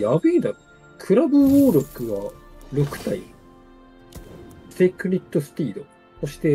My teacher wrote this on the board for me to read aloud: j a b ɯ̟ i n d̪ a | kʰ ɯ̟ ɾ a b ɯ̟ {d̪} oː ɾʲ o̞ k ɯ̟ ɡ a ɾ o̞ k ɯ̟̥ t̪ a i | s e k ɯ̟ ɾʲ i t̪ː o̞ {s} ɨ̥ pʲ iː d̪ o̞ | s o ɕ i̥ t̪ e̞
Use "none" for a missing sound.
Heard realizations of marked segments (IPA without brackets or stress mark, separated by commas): none, s